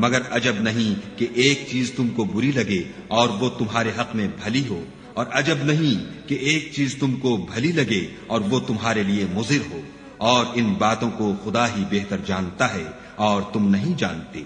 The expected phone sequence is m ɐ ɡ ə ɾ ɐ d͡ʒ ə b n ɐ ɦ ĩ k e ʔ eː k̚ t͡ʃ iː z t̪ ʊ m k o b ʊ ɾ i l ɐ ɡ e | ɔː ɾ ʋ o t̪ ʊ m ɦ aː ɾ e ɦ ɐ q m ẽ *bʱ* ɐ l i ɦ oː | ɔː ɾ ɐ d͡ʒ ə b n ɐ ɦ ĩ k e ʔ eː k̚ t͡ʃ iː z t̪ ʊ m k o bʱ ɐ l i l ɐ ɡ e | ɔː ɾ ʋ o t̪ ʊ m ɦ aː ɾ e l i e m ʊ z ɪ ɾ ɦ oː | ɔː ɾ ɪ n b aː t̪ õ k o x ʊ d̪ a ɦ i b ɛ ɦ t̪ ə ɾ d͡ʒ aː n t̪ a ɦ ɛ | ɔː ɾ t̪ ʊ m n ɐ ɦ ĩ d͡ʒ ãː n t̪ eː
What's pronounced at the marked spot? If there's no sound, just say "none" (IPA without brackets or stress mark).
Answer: bʱ